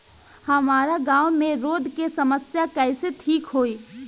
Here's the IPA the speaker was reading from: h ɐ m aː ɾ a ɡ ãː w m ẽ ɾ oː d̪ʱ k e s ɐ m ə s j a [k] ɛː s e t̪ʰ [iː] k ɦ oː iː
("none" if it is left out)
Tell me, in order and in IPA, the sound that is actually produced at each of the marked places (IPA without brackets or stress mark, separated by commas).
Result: k, iː